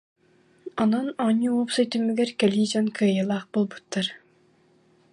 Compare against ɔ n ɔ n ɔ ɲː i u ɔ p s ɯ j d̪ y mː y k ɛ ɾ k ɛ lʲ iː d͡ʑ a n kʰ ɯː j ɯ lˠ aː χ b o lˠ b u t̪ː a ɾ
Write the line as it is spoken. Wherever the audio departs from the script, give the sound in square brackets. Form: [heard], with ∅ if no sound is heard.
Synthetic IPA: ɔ n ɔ n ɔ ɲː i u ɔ p s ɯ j [t̪] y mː y [ɡ] ɛ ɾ k ɛ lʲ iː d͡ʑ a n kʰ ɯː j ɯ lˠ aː χ b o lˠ b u t̪ː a ɾ